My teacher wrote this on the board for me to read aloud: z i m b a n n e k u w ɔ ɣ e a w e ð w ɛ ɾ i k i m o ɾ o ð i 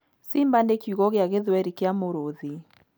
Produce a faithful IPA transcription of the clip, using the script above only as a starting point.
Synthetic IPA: s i m b a n d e k u ɣ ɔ ɣ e a ɣ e ð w ɛ ɾ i k a m o ɾ o ð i